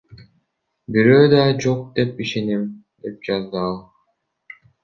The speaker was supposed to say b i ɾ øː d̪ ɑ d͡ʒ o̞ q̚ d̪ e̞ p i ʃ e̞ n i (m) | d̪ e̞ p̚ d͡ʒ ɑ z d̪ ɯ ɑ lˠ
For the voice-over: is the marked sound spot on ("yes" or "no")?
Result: yes